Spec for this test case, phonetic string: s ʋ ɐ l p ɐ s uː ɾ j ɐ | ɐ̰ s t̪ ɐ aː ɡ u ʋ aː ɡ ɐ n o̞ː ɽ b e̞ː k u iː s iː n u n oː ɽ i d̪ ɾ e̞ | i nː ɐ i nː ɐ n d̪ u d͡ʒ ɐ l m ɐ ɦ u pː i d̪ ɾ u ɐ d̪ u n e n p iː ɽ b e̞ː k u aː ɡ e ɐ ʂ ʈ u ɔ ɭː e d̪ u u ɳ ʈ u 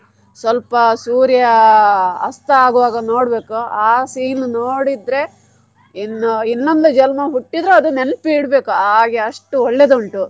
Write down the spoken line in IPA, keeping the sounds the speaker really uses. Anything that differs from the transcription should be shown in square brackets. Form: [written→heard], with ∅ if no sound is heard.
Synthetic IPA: s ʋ ɐ l p ɐ s uː ɾ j ɐ | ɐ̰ s t̪ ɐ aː ɡ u ʋ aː ɡ ɐ n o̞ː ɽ b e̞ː k u [iː→aː] s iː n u n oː ɽ i d̪ ɾ e̞ | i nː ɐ i nː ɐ n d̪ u d͡ʒ ɐ l m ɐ ɦ u [pː→ʈː] i d̪ ɾ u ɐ d̪ u n e n p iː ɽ b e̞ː k u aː ɡ e ɐ ʂ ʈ u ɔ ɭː e d̪ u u ɳ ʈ u

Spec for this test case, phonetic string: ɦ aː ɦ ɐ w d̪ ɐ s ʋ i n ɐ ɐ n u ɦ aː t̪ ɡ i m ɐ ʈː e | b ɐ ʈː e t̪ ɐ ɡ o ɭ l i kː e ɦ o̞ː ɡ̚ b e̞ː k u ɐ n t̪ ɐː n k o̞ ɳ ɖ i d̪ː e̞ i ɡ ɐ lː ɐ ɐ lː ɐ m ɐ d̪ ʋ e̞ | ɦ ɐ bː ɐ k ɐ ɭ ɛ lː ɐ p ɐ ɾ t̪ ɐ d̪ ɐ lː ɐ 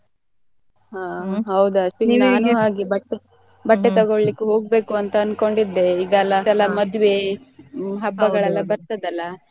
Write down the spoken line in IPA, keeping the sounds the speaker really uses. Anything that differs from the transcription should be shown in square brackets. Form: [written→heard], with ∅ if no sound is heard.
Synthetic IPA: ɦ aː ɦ ɐ w d̪ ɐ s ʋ i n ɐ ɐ n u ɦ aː [t̪→∅] ɡ i [m→b] ɐ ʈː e | b ɐ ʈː e t̪ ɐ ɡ o ɭ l i kː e ɦ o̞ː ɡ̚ b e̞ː k u ɐ n t̪ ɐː n k o̞ ɳ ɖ i d̪ː e̞ i ɡ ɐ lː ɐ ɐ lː ɐ m ɐ d̪ ʋ e̞ | ɦ ɐ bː ɐ [k→ɡ] ɐ ɭ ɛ lː ɐ [p→b] ɐ ɾ t̪ ɐ d̪ ɐ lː ɐ

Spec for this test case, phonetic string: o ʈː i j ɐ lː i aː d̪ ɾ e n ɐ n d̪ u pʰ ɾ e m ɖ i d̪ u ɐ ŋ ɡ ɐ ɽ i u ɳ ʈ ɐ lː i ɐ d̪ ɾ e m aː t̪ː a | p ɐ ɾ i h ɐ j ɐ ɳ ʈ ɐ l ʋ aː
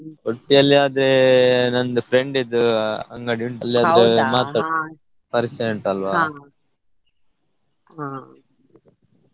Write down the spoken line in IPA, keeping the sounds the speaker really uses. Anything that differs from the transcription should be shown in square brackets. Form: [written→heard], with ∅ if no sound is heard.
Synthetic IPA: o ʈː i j ɐ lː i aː d̪ ɾ e n ɐ n d̪ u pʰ ɾ e [m→ɳ] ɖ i d̪ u ɐ ŋ ɡ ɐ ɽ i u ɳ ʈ ɐ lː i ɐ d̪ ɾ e m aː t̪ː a | p ɐ ɾ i [h→s] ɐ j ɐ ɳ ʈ ɐ l ʋ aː

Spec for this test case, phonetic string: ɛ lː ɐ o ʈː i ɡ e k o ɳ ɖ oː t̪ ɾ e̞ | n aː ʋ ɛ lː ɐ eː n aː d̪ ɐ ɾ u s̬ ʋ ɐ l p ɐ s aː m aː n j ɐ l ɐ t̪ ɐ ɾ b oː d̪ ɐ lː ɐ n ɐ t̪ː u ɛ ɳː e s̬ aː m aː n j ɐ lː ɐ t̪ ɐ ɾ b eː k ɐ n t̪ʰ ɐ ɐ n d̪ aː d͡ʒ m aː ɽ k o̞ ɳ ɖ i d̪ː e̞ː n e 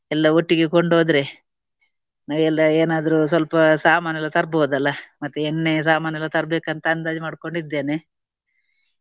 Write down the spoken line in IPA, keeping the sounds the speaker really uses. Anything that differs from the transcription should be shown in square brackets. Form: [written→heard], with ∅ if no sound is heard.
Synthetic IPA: ɛ lː ɐ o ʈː i ɡ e k o ɳ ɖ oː [t̪→d̪] ɾ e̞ | n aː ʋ ɛ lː ɐ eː n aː d̪ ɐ ɾ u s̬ ʋ ɐ l p ɐ s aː m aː n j ɐ l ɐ t̪ ɐ ɾ b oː d̪ ɐ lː ɐ [n→m] ɐ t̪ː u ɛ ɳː e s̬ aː m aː n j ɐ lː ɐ t̪ ɐ ɾ b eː k ɐ n [t̪ʰ→t̪] ɐ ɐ n d̪ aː d͡ʒ m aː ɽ k o̞ ɳ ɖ i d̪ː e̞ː n e

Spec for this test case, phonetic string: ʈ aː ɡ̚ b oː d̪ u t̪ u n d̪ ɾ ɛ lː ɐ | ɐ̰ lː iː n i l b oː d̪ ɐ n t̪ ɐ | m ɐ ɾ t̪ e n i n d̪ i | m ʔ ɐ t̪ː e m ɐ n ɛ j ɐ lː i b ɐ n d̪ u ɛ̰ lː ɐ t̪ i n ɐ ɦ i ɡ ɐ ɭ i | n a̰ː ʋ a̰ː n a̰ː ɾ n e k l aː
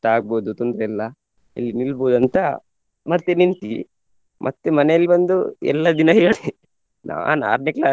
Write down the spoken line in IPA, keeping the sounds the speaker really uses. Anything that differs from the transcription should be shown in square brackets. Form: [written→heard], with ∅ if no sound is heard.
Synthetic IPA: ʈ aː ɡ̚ b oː d̪ u t̪ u n d̪ ɾ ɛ lː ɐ | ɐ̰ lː [iː→i] n i l b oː d̪ ɐ n t̪ ɐ | m ɐ ɾ t̪ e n i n [d̪→t̪] i | m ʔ ɐ t̪ː e m ɐ n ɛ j ɐ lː i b ɐ n d̪ u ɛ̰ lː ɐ [t̪→d̪] i n ɐ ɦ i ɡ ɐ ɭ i | n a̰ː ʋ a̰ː n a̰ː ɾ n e k l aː

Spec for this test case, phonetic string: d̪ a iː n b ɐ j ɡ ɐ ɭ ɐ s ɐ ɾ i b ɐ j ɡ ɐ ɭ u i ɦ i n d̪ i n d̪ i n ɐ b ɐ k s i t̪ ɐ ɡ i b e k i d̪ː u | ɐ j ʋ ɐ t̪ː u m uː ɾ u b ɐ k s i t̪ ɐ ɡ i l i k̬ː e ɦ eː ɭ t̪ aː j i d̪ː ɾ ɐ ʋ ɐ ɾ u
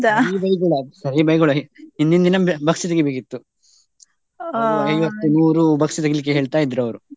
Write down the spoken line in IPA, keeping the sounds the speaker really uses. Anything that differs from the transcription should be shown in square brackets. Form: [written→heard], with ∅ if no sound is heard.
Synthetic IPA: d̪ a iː [n→∅] b ɐ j ɡ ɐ ɭ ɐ s ɐ ɾ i b ɐ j ɡ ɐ ɭ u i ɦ i n d̪ i n d̪ i n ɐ b ɐ k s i t̪ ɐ ɡ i b e k i [d̪ː→t̪ː] u | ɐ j ʋ ɐ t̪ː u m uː ɾ u b ɐ k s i t̪ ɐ ɡ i l i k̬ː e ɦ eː ɭ t̪ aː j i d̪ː ɾ ɐ ʋ ɐ ɾ u

